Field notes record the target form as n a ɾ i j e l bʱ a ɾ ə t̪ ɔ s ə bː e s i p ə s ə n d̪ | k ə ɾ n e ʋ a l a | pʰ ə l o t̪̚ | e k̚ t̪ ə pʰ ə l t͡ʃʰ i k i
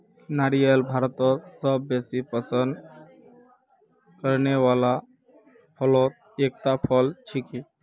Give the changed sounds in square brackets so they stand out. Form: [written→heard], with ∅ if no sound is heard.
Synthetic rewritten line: n a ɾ i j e l bʱ a ɾ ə t̪ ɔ s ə bː e s i p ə s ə n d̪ | k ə ɾ n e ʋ a l a | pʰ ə l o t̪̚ | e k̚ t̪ [ə→a] pʰ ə l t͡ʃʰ i k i